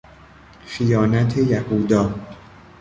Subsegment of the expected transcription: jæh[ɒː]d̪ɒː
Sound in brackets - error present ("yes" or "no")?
yes